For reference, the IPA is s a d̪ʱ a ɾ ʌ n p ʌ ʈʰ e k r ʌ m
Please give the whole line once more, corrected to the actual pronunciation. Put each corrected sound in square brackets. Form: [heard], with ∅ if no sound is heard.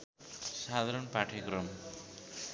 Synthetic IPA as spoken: s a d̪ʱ a ɾ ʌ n p [a] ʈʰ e k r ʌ m